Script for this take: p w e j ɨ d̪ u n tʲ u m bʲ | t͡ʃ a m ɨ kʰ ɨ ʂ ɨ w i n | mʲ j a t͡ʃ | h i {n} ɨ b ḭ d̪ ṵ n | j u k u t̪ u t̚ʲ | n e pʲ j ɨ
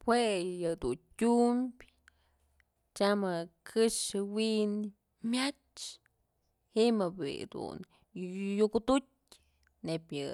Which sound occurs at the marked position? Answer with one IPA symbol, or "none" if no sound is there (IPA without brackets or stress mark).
m